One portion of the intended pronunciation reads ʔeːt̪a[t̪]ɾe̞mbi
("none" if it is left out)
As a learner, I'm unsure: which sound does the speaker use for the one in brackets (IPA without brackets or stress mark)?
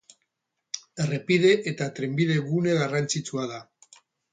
t̪